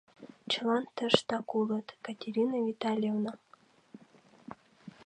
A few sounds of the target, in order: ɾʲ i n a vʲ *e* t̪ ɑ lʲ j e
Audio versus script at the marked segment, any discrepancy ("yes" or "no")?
yes